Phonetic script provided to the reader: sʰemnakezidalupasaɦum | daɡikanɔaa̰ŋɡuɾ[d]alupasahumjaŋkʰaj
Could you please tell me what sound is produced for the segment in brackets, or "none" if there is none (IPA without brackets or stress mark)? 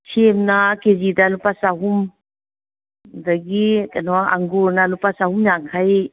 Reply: n